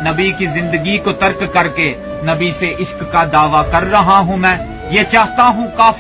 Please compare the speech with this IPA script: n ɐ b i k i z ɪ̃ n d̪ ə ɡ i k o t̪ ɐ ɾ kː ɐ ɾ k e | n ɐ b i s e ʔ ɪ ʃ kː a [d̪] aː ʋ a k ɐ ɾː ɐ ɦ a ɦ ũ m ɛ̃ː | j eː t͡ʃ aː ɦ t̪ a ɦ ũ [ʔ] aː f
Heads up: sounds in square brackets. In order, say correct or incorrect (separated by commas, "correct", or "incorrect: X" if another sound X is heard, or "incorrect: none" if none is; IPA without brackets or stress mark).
correct, incorrect: k